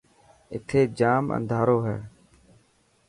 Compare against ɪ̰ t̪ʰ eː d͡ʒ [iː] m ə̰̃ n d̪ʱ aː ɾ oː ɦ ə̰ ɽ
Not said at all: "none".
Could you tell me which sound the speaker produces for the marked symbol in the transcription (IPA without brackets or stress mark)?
aː